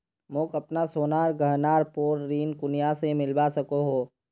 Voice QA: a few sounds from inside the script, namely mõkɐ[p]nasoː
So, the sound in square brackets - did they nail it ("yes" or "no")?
yes